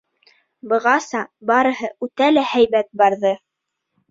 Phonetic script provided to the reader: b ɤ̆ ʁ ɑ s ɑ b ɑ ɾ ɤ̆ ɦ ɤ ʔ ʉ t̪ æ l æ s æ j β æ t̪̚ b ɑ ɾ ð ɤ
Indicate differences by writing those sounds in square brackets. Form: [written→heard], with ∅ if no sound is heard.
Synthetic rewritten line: b ɤ̆ ʁ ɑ s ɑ b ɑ ɾ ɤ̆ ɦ ɤ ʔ ʉ t̪ æ l æ [s→h] æ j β æ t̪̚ b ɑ ɾ ð ɤ